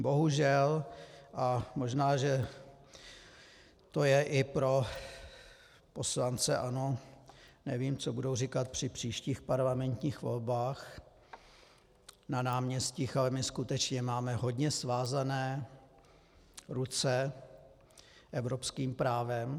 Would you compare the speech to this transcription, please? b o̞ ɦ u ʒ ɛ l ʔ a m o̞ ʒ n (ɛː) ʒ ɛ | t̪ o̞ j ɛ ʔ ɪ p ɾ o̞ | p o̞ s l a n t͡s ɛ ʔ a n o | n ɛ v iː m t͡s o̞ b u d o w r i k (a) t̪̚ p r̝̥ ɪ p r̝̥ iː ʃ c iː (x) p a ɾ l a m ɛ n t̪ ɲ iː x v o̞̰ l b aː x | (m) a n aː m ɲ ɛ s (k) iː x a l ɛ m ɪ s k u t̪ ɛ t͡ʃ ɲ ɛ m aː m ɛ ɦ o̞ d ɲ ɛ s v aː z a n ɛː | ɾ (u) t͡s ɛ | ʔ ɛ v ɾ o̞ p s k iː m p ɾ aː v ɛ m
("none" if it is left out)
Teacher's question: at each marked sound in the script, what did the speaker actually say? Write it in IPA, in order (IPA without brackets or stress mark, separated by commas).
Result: aː, a, x, n, c, u